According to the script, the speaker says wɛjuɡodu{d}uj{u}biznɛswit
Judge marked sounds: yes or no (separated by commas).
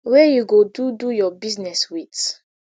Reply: yes, no